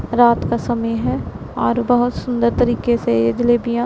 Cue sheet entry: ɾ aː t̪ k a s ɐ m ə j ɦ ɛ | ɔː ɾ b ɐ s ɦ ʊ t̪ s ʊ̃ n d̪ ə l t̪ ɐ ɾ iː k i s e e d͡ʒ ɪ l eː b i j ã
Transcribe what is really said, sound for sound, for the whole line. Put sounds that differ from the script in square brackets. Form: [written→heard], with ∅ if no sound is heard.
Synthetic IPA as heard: ɾ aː t̪ k a s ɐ m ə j ɦ ɛ | ɔː ɾ b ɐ [s→∅] ɦ ʊ t̪ s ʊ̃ n d̪ ə [l→ɾ] t̪ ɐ ɾ iː k [i→e] s e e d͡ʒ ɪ l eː b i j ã

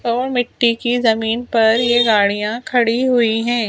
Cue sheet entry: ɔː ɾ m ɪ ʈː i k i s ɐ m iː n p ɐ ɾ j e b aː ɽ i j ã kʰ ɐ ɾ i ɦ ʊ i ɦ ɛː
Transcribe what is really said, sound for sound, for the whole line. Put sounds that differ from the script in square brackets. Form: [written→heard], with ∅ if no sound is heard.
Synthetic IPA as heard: ɔː ɾ m ɪ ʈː i k i [s→z] ɐ m iː n p ɐ ɾ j e [b→ɡ] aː ɽ i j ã kʰ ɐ [ɾ→ɽ] i ɦ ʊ i ɦ [ɛː→ɛ̃ː]

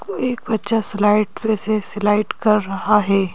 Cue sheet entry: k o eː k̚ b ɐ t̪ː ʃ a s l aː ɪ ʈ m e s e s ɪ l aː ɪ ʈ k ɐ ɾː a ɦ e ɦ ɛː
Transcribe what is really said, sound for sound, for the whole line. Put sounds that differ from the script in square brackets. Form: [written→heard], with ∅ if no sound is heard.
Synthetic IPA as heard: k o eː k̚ b ɐ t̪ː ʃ a s l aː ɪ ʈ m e s e s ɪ l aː ɪ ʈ k ɐ ɾː [a→ɐ] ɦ [e→a] ɦ ɛː

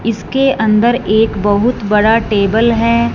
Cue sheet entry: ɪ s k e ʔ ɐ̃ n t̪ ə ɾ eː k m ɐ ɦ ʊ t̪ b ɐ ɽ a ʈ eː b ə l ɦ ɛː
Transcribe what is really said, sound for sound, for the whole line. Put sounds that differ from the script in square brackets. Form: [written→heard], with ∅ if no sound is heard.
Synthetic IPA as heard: ɪ s k e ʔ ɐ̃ n [t̪→d̪] ə ɾ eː k [m→b] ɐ ɦ ʊ t̪ b ɐ ɽ a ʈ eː b ə l ɦ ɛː

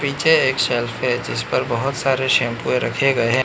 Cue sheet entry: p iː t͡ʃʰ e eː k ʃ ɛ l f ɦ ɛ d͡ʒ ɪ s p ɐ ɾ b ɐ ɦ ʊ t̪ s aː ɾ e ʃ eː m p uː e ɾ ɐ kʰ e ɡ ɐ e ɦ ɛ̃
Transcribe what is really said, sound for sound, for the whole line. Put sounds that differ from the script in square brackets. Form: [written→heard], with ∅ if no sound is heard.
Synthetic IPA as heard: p iː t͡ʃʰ e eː k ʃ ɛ l f ɦ ɛ d͡ʒ ɪ s p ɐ ɾ b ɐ ɦ ʊ t̪ s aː ɾ e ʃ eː m p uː e ɾ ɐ kʰ e ɡ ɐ e ɦ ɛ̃

